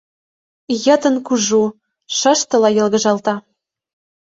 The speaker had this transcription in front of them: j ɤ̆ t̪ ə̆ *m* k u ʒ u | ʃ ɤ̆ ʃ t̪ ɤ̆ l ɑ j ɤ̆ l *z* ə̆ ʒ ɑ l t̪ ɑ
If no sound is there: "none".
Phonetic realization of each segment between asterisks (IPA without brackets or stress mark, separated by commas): n, ɣ